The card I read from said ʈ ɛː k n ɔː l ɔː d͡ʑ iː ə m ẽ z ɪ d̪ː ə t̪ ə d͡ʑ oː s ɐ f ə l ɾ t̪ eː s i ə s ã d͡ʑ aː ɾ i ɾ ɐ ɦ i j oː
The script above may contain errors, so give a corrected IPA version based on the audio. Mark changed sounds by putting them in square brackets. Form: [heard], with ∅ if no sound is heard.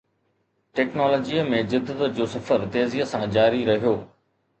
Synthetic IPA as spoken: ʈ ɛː k n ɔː l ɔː d͡ʑ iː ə m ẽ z ɪ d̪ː ə t̪ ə d͡ʑ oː s ɐ f ə [∅] ɾ t̪ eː [z] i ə s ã d͡ʑ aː ɾ i ɾ ɐ ɦ i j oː

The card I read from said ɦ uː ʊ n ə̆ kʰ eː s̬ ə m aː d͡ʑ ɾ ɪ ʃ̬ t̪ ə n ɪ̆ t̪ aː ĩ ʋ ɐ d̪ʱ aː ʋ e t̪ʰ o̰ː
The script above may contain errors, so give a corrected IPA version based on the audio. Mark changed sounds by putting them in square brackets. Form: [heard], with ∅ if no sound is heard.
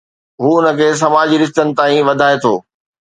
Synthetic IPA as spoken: ɦ uː ʊ n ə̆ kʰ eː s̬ [ɐ] m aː d͡ʑ ɾ ɪ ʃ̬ t̪ ə n ɪ̆ t̪ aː ĩ ʋ ɐ d̪ʱ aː [∅] e t̪ʰ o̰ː

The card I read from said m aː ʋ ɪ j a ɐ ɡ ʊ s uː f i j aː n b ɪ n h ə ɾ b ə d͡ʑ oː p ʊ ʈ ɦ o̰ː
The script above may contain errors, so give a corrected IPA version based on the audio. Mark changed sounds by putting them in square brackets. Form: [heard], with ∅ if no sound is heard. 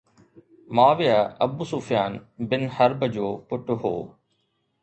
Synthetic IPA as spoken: m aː ʋ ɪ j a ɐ [b] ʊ s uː f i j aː n b ɪ n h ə ɾ b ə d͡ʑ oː p ʊ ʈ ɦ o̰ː

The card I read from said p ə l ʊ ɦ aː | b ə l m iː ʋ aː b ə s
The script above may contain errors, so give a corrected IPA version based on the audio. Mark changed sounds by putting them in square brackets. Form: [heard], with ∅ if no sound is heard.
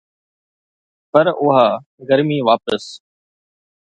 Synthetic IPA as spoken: p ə [ɾ] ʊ ɦ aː | [ɡ] ə [ɾ] m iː ʋ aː [p] ə s

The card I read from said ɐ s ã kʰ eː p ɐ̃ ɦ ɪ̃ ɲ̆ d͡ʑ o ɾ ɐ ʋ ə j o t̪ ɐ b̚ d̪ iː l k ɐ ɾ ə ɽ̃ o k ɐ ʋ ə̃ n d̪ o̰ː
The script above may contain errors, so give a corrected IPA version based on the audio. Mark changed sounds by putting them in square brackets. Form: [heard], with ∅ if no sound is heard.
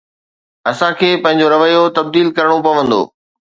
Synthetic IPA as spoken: ɐ s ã kʰ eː p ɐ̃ ɦ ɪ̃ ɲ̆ d͡ʑ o ɾ ɐ ʋ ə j o t̪ ɐ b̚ d̪ iː l k ɐ ɾ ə ɽ̃ o [p] ɐ ʋ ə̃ n d̪ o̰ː

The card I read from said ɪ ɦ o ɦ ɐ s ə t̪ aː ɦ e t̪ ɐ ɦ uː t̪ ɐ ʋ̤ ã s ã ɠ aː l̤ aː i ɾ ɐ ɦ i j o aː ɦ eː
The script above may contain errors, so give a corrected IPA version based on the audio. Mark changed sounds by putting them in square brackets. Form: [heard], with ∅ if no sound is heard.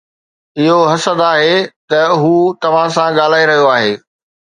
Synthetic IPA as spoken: ɪ ɦ o ɦ ɐ s ə [d̪] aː ɦ e t̪ ɐ ɦ uː t̪ ɐ ʋ̤ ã s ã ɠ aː l̤ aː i ɾ ɐ ɦ i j o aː ɦ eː

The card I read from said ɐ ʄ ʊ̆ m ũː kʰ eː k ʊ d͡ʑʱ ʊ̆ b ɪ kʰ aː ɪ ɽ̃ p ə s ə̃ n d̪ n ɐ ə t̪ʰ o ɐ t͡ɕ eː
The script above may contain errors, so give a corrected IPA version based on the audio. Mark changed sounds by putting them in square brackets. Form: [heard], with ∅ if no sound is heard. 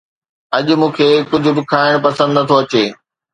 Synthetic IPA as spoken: ɐ ʄ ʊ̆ m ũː kʰ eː k ʊ d͡ʑʱ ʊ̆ b ɪ kʰ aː ɪ ɽ̃ p [ɐ] s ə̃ n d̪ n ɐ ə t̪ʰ o ɐ t͡ɕ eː

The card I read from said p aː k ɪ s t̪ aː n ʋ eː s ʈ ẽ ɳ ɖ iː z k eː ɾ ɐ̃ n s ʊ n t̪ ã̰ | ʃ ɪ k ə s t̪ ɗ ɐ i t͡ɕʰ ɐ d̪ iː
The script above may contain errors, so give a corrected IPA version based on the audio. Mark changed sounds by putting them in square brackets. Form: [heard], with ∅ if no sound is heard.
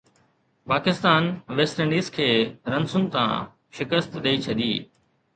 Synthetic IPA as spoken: p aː k ɪ s t̪ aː n ʋ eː s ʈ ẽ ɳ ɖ iː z [kʰ] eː ɾ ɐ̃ n s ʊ n t̪ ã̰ | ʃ ɪ k ə s t̪ ɗ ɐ i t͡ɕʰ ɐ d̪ iː

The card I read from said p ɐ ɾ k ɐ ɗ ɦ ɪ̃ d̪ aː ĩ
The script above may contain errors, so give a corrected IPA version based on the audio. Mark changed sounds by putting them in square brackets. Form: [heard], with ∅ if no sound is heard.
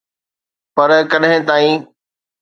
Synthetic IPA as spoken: p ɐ ɾ k ɐ ɗ ɦ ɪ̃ [t̪] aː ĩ

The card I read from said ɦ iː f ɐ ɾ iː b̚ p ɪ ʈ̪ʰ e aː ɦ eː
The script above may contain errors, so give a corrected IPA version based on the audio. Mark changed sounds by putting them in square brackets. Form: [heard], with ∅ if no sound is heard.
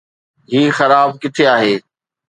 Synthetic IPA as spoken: ɦ iː [x] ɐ ɾ [aː] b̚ [k] ɪ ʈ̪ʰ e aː ɦ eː

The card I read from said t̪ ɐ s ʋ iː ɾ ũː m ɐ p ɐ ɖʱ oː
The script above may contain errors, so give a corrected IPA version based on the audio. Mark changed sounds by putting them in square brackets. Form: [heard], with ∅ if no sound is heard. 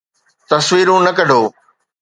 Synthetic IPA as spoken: t̪ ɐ s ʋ iː ɾ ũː [n] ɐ [k] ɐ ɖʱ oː

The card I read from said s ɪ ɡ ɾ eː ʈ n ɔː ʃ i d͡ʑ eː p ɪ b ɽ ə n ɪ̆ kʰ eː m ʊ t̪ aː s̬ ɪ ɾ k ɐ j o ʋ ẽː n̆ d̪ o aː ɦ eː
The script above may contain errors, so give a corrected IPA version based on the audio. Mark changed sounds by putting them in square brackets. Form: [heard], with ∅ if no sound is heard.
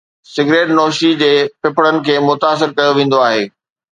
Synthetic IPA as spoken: s ɪ ɡ ɾ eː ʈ n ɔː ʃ i d͡ʑ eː p ɪ [p] ɽ ə n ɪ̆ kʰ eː m ʊ t̪ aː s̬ ɪ ɾ k ɐ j o ʋ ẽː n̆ d̪ o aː ɦ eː

